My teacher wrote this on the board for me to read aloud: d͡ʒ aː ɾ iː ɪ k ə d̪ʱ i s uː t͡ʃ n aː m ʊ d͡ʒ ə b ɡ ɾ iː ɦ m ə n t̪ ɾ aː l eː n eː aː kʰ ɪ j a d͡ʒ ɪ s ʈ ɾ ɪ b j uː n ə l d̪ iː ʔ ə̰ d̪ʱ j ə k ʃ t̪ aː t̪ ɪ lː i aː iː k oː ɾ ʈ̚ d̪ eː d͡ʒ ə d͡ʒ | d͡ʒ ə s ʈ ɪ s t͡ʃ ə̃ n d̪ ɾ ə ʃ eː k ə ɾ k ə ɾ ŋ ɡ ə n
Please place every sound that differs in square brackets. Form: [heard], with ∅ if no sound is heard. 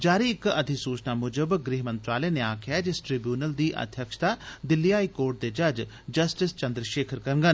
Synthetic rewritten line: d͡ʒ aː ɾ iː ɪ k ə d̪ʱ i s uː t͡ʃ n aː m ʊ d͡ʒ ə b ɡ ɾ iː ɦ m ə n t̪ ɾ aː l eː n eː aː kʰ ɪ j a d͡ʒ ɪ s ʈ ɾ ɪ b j uː n ə l d̪ iː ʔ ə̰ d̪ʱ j ə k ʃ t̪ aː [d̪] ɪ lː i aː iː k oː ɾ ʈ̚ d̪ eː d͡ʒ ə d͡ʒ | d͡ʒ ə s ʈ ɪ s t͡ʃ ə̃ n d̪ ɾ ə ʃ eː [kʰ] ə ɾ k ə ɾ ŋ ɡ ə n